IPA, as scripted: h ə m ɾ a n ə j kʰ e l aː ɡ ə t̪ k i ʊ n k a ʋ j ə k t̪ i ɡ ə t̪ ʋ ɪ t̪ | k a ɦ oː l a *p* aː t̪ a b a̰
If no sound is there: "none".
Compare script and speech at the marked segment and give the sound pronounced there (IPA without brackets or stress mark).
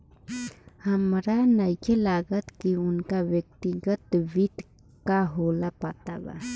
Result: p